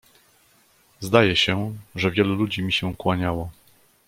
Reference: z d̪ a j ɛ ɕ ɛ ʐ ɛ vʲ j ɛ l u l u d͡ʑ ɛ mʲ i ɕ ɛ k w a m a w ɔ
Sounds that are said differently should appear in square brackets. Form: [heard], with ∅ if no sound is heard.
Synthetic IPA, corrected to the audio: z d̪ a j ɛ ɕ ɛ ʐ ɛ vʲ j ɛ l u l u d͡ʑ [i] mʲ i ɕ ɛ k w a [ɲ] a w ɔ